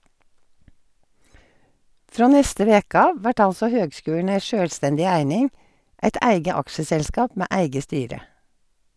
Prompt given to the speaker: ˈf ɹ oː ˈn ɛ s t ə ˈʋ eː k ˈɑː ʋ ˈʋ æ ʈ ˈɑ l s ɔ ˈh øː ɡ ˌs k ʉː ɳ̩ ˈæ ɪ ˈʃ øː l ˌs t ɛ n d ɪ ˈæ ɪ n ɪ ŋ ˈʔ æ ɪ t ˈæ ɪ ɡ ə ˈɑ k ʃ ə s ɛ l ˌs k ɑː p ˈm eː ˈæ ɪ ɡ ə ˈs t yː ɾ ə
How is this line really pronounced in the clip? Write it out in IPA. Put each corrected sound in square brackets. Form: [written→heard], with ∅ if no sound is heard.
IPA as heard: ˈf ɹ oː ˈn ɛ s t ə ˈʋ eː k ˈɑː ʋ ˈʋ æ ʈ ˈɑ l s ɔ ˈh øː ɡ ˌs k ʉː ɳ̩ ˈæ ɪ ˈʃ øː l ˌs t ɛ n d ɪ ˈæ ɪ n ɪ ŋ ˈʔ æ ɪ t ˈæ ɪ ɡ ə ˈɑ k ʃ ə s ɛ l ˌs k ɑː p ˈm eː ˈæ ɪ ɡ ə ˈs t yː ɾ ə